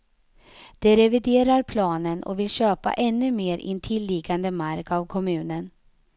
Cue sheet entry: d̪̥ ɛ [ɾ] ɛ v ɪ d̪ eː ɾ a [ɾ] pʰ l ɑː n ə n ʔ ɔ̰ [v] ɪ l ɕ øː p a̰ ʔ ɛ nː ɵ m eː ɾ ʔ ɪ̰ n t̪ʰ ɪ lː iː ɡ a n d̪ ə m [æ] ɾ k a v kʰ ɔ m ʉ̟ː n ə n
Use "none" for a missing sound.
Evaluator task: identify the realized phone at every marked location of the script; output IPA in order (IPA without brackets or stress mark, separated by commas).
ɾ, ɾ, v, a